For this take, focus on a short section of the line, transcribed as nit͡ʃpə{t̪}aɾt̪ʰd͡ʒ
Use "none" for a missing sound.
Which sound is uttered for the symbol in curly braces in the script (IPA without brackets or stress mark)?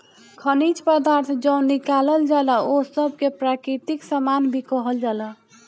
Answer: d̪